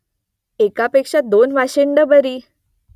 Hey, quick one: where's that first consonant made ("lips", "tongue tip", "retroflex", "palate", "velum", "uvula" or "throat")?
velum